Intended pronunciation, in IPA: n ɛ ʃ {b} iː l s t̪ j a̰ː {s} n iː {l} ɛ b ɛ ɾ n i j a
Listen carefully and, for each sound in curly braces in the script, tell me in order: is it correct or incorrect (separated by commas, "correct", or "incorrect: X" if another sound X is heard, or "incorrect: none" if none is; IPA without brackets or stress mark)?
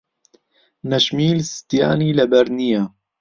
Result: incorrect: m, incorrect: none, correct